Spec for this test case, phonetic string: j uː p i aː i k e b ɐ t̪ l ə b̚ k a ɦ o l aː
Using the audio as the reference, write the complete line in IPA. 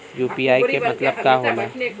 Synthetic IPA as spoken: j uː p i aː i k e m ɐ t̪ l ə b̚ k a ɦ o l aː